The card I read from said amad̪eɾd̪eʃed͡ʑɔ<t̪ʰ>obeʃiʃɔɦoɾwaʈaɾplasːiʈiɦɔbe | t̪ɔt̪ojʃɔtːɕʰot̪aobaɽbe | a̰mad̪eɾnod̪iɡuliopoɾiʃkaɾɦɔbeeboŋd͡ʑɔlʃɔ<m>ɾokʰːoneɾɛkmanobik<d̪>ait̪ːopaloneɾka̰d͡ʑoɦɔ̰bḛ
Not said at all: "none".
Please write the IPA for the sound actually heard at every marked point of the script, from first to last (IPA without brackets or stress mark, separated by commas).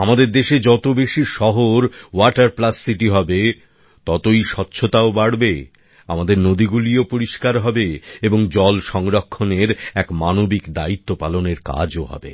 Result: t̪, ŋ, d̪